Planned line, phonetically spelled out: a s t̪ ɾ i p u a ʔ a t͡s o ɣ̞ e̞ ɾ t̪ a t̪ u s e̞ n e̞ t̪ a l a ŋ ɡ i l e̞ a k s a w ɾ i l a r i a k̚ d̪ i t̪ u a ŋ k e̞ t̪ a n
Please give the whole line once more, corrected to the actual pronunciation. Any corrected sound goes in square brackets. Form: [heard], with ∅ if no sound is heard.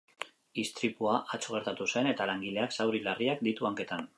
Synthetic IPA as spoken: [i] s t̪ ɾ i p u a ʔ a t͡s o ɣ̞ e̞ ɾ t̪ a t̪ u s e̞ n e̞ t̪ a l a ŋ ɡ i l e̞ a k s a w ɾ i l a r i a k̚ d̪ i t̪ u a ŋ k e̞ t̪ a n